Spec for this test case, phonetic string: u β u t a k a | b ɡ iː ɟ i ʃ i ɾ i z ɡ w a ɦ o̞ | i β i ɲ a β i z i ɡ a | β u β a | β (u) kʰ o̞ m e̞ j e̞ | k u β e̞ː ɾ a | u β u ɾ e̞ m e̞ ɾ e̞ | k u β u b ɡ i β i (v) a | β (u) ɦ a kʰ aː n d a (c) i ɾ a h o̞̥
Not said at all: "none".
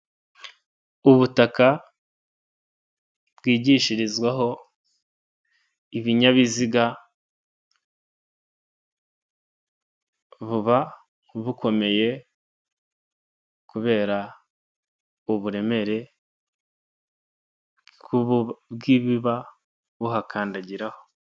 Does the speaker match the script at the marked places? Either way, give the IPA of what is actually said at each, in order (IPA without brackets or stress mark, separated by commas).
u, β, u, ɟ